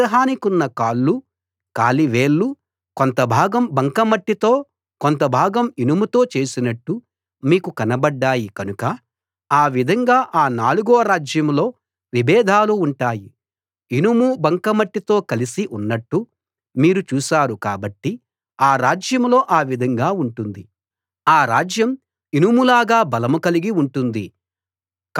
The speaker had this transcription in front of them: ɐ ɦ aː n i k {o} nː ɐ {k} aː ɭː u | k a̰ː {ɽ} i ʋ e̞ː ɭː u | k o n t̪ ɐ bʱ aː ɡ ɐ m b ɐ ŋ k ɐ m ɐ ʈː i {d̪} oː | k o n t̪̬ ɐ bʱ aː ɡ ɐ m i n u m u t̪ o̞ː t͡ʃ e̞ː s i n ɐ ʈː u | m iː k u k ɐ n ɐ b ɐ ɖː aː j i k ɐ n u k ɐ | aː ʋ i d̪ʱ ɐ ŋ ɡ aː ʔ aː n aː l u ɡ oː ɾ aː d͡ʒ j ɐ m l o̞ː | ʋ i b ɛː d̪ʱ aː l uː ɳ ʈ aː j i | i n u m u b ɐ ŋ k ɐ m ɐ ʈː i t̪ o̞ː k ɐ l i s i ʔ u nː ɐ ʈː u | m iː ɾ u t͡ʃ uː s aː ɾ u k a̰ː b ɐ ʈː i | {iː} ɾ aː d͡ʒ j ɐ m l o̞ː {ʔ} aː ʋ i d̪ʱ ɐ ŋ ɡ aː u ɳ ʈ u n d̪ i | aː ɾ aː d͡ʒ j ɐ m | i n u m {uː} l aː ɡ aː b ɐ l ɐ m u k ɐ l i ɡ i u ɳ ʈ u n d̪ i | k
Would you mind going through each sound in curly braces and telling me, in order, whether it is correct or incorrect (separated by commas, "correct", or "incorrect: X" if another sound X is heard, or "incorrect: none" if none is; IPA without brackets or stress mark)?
incorrect: u, correct, incorrect: l, incorrect: t̪, incorrect: aː, correct, incorrect: u